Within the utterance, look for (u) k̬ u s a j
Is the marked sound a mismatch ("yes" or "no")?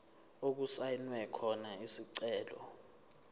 yes